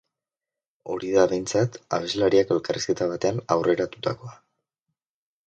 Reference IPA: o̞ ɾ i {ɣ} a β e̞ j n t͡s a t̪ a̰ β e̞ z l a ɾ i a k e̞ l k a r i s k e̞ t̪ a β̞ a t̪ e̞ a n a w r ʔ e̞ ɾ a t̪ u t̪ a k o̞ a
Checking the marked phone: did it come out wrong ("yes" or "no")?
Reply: yes